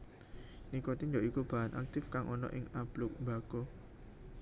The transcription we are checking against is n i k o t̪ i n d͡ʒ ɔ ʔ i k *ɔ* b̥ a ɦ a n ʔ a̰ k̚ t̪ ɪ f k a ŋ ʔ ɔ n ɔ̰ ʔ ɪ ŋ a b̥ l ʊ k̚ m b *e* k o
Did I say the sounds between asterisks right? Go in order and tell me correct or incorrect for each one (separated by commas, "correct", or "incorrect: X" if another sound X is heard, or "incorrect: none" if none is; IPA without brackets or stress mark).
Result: incorrect: u, incorrect: a